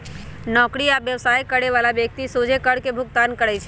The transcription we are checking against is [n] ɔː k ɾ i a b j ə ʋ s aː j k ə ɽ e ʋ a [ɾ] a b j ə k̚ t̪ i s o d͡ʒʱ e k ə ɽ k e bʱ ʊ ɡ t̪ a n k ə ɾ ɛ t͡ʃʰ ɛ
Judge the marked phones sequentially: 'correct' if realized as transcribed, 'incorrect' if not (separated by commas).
correct, incorrect